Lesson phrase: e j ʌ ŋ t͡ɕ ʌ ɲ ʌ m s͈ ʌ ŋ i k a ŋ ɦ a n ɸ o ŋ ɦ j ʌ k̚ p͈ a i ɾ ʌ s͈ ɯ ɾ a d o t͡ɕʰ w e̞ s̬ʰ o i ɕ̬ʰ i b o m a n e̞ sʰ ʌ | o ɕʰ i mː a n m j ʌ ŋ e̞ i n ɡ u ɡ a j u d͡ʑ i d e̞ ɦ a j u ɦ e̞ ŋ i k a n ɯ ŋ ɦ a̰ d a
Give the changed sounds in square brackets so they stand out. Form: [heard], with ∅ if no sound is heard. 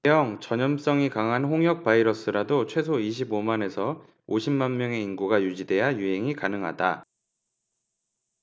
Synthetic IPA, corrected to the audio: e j ʌ ŋ t͡ɕ ʌ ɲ ʌ m s͈ ʌ ŋ i k a ŋ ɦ a n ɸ o ŋ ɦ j ʌ k̚ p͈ a i ɾ ʌ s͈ ɯ ɾ a d o t͡ɕʰ w e̞ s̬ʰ o i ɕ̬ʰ i b o m a n e̞ sʰ ʌ | o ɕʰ i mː a n m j ʌ ŋ e̞ i n ɡ u ɡ a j u d͡ʑ i d e̞ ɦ a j u ɦ e̞ ŋ i k a n ɯ ŋ ɦ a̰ d a